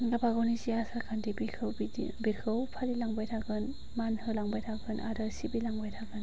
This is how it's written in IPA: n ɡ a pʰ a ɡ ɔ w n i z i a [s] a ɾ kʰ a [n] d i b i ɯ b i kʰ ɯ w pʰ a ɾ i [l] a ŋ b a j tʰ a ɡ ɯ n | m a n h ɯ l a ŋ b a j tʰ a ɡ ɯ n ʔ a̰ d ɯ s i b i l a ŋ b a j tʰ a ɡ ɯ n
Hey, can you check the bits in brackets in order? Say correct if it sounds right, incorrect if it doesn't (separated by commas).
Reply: correct, correct, correct